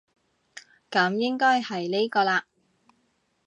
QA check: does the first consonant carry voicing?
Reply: no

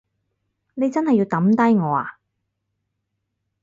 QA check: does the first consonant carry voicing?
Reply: yes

